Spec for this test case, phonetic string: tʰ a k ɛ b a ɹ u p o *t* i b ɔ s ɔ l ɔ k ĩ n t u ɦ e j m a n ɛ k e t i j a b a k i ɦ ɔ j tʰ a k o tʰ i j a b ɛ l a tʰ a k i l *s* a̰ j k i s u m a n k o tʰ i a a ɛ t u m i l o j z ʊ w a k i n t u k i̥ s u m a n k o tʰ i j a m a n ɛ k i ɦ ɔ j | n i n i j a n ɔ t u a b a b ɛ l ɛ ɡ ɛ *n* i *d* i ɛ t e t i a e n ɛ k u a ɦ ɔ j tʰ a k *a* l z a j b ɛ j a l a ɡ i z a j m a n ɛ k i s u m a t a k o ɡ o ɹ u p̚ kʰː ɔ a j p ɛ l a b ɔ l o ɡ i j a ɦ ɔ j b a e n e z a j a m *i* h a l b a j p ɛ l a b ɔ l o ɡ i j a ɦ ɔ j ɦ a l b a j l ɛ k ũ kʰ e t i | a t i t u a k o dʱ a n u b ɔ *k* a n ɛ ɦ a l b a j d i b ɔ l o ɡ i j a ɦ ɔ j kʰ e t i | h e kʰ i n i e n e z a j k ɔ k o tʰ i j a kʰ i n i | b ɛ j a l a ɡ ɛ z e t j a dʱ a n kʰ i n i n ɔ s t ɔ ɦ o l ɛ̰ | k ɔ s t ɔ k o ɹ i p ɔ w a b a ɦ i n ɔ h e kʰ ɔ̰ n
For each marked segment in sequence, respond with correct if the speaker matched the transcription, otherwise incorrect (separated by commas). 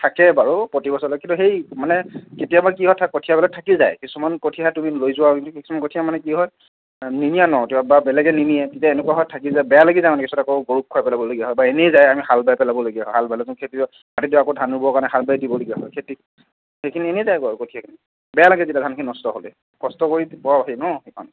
correct, incorrect, correct, incorrect, incorrect, correct, correct